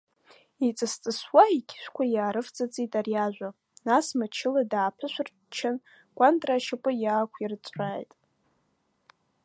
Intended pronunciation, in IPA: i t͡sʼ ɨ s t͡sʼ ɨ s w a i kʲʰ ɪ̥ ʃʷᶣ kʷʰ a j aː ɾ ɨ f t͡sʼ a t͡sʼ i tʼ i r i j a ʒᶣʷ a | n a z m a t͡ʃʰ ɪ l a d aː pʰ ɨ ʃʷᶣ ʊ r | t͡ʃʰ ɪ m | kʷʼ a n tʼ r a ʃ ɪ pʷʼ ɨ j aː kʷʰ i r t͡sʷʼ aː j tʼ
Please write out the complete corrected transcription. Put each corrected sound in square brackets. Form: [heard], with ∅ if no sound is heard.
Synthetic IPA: i t͡sʼ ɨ s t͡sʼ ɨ s w a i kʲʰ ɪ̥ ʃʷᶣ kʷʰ a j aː ɾ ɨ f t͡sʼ a t͡sʼ i tʼ [a] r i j a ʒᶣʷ a | n a [s] m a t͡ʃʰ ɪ l a d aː pʰ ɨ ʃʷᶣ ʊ r | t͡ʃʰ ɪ [n] | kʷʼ a n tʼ r a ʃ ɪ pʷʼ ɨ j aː kʷʰ i r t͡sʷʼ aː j tʼ